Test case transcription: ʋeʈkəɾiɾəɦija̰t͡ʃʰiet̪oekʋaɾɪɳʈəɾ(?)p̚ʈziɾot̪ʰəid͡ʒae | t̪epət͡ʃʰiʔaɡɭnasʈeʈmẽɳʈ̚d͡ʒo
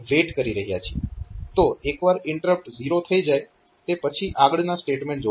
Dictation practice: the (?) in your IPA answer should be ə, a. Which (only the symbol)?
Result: ə